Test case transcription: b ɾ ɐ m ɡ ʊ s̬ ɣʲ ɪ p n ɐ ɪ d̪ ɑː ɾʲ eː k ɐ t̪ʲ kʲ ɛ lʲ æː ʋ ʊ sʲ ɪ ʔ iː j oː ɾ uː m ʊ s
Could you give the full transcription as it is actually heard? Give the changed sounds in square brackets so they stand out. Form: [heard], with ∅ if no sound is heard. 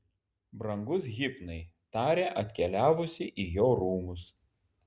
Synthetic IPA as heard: b ɾ ɐ [ŋ] ɡ ʊ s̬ ɣʲ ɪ p n ɐ ɪ [t̪] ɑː ɾʲ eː [ʔ] ɐ t̪ʲ kʲ ɛ lʲ æː ʋ ʊ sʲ ɪ ʔ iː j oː ɾ uː m ʊ s